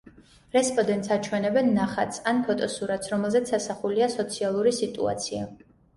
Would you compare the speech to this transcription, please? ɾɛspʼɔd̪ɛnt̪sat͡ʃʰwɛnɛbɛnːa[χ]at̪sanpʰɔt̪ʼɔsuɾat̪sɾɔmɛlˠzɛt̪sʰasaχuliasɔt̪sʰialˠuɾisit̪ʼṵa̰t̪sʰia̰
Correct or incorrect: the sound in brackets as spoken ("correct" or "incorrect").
correct